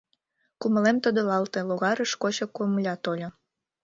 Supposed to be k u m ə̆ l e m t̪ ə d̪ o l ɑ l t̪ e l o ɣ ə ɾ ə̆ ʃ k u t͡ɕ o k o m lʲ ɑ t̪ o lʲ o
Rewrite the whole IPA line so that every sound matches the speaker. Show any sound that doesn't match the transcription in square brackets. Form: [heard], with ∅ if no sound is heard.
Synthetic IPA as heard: k u m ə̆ l e m t̪ ə d̪ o l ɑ l t̪ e l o ɣ [ɑ] ɾ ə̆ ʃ k [o] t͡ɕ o k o m lʲ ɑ t̪ o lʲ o